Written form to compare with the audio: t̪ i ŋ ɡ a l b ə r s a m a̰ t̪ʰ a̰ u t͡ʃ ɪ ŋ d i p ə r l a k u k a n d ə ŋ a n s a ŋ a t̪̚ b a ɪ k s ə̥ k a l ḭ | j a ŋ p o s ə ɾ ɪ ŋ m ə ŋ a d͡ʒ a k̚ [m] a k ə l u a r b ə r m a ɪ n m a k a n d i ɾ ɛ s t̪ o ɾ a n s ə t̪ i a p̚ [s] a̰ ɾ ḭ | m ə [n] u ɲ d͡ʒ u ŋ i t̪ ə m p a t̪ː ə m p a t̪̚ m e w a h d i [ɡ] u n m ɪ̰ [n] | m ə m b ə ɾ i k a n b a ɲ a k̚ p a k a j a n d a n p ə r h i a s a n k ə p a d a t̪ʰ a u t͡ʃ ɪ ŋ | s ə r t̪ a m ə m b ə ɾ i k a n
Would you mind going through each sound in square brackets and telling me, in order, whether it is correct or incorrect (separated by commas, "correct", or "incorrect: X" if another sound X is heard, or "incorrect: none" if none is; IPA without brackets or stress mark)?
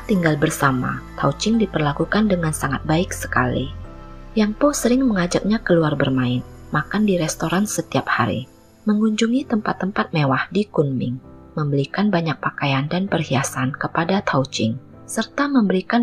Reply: incorrect: ɲ, incorrect: h, incorrect: ŋ, incorrect: k, incorrect: ŋ